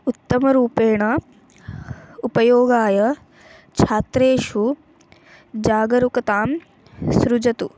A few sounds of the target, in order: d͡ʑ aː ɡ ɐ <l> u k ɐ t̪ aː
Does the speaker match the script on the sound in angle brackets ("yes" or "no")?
no